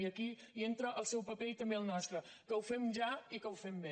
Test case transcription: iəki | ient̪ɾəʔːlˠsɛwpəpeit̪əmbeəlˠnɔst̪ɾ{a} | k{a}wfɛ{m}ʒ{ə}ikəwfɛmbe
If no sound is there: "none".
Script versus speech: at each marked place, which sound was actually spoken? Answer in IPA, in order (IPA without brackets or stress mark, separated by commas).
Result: ə, ə, m, a